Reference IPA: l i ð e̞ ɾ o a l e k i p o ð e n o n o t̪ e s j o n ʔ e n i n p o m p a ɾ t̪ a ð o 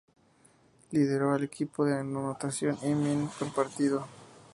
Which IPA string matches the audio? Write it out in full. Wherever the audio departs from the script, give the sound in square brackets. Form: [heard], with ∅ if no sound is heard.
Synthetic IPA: l i ð e̞ ɾ o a l e k i p o ð e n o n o t̪ [a] s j o n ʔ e [m] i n [k] o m p a ɾ t̪ [i] ð o